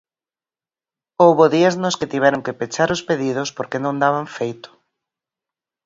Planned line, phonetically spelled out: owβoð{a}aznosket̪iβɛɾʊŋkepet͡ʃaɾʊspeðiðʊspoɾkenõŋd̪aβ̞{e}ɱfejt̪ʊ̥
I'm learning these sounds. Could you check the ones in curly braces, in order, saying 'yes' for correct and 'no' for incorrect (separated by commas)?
no, no